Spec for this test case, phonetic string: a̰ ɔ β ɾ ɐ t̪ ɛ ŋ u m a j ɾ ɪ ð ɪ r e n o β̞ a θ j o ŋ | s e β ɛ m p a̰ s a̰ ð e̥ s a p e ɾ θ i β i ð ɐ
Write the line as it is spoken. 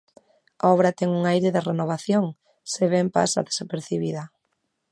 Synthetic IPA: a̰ ɔ β ɾ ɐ t̪ ɛ ŋ u ŋ a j ɾ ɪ ð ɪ r e n o β̞ a θ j o ŋ | s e β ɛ m p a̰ s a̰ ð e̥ s a p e ɾ θ i β i ð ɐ